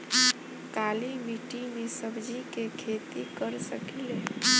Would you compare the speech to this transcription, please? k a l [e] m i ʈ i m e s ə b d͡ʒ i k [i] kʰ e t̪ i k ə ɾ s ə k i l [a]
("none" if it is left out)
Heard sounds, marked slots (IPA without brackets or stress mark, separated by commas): i, e, e